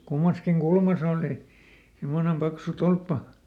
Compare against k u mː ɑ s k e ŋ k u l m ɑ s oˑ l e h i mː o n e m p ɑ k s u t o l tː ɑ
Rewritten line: k u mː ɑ s k i ŋ k u l m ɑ s oˑ l i h i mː o n e m p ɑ k s u t o l pː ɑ